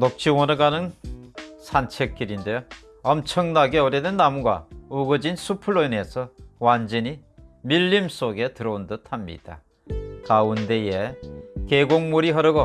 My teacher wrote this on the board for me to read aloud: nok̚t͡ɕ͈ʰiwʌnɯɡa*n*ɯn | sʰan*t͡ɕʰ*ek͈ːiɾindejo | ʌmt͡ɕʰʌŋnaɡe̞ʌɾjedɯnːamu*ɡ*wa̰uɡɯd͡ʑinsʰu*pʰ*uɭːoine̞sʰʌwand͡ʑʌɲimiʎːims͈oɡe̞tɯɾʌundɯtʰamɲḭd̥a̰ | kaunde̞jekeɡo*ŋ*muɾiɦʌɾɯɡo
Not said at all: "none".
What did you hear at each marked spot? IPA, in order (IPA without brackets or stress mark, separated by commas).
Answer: n, t͡ɕʰ, ɡ, pʰ, ŋ